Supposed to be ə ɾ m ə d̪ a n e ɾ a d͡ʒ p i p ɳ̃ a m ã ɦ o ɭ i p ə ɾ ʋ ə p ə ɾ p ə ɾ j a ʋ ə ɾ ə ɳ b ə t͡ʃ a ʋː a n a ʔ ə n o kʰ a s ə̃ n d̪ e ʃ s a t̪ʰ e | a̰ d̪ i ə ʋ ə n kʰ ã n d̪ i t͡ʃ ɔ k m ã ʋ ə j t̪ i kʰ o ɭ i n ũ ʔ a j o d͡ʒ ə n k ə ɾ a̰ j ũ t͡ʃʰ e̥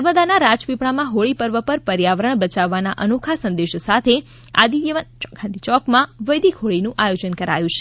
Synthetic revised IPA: ə ɾ m ə d̪ a n a ɾ a d͡ʒ p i p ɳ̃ a m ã ɦ o ɭ i p ə ɾ ʋ ə p ə ɾ p ə ɾ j a ʋ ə ɾ ə ɳ b ə t͡ʃ a ʋː a n a ʔ ə n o kʰ a s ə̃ n d̪ e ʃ s a t̪ʰ e | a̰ d̪ i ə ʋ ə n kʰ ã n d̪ i t͡ʃ ɔ k m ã ʋ ə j d̪ i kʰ o ɭ i n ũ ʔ a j o d͡ʒ ə n k ə ɾ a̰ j ũ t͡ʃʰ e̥